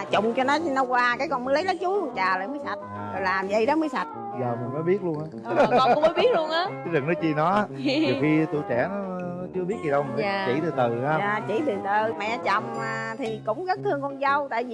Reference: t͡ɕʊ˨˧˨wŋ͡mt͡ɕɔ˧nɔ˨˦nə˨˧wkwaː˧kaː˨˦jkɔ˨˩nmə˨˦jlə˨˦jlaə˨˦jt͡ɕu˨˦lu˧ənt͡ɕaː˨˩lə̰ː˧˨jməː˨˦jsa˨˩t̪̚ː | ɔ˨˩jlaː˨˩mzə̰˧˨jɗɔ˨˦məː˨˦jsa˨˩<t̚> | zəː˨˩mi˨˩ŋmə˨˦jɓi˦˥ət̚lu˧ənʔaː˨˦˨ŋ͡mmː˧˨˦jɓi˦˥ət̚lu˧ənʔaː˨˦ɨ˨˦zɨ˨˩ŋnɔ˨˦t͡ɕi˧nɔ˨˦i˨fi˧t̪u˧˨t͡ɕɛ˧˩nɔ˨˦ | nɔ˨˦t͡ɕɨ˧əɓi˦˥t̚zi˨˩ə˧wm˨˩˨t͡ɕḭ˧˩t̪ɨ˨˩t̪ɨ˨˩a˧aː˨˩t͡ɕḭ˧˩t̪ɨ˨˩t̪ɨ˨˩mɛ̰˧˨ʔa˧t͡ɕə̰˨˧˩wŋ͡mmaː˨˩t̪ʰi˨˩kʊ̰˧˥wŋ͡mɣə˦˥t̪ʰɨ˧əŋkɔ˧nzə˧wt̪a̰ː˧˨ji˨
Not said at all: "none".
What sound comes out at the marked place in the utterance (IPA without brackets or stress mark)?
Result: t̚